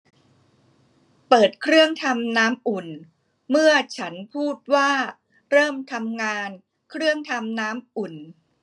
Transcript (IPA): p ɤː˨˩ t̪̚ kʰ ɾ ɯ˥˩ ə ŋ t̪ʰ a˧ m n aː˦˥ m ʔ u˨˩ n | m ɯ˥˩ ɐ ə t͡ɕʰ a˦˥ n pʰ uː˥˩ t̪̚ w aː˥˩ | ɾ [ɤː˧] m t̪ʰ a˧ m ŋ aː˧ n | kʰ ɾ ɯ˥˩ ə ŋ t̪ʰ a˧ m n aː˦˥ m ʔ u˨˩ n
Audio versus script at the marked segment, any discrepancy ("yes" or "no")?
yes